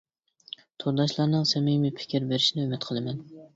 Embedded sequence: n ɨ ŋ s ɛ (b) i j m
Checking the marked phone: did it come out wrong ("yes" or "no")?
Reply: yes